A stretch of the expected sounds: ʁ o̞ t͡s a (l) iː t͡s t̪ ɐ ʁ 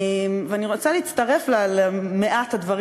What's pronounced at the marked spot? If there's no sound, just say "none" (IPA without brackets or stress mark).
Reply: l